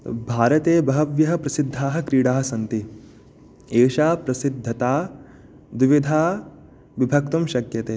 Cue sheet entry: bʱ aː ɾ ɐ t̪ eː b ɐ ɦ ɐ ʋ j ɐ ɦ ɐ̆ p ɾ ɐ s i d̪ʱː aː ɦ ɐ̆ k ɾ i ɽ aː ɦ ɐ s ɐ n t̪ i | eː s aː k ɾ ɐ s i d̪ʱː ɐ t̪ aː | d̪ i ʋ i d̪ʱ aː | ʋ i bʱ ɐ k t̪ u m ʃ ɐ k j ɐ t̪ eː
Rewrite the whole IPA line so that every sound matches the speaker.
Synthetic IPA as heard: bʱ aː ɾ ɐ t̪ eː b ɐ ɦ ɐ ʋ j ɐ ɦ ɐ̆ p ɾ ɐ s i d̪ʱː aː ɦ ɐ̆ k ɾ iː ɽ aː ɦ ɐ s ɐ n t̪ i | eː ʃ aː p ɾ ɐ s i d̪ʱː ɐ t̪ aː | d̪ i ʋ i d̪ʱ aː | ʋ i bʱ ɐ k t̪ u m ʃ ɐ k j ɐ t̪ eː